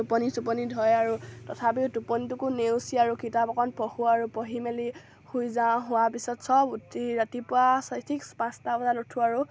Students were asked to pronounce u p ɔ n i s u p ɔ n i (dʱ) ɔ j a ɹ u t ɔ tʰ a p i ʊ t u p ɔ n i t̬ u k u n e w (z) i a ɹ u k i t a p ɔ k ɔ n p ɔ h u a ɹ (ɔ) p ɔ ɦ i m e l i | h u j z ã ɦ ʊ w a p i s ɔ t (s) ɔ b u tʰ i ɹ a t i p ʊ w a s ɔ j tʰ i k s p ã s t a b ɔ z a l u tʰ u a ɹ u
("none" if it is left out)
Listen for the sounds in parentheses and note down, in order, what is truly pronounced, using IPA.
dʱ, s, u, s

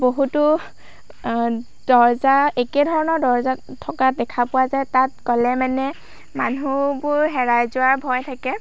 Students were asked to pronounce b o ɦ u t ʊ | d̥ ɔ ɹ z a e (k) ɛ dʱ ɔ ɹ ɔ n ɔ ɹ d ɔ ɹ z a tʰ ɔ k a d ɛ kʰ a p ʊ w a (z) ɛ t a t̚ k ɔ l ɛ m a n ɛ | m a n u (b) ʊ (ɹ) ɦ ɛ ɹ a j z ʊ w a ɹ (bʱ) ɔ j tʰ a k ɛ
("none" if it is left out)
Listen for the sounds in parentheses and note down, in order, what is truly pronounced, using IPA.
k, z, b, ɹ, bʱ

